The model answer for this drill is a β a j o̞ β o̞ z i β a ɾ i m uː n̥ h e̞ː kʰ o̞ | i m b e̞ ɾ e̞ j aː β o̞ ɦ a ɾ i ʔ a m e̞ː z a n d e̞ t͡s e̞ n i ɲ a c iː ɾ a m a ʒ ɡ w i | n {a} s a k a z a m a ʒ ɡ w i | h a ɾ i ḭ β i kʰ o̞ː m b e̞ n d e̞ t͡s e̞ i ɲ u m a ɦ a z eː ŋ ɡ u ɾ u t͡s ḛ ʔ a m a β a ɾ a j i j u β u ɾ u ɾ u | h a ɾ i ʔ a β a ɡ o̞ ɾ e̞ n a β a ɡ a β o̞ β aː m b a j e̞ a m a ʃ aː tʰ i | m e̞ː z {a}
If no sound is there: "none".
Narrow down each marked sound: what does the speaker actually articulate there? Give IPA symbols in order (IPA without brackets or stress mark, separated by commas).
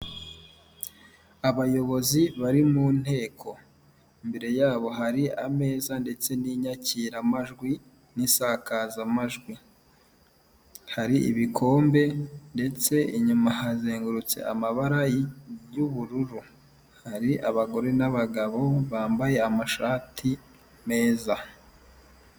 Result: i, a